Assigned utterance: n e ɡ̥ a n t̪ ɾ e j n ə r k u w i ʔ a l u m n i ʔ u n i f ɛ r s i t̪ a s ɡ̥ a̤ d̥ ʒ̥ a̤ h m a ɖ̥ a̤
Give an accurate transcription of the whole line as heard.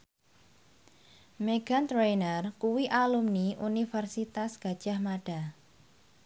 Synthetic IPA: m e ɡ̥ a n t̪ ɾ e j n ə r k u w i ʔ a l u m n i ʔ u n i f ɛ r s i t̪ a s ɡ̥ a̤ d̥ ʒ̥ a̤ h m a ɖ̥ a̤